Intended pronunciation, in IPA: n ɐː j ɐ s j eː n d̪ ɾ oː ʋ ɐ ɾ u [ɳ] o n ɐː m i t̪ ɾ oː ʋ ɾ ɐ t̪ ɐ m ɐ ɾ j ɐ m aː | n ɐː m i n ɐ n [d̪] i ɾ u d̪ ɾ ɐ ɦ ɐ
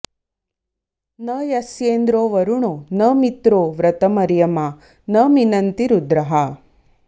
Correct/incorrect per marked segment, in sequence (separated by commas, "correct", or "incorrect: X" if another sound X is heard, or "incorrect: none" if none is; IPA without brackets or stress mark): correct, incorrect: t̪